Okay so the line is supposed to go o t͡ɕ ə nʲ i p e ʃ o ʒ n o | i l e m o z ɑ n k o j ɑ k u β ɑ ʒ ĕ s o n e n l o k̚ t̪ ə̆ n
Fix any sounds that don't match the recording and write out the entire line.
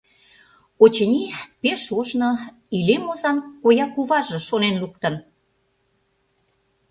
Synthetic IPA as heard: o t͡ɕ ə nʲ i p e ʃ o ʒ n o | i l e m o z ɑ n k o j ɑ k u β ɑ ʒ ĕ ʃ o n e n l u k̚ t̪ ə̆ n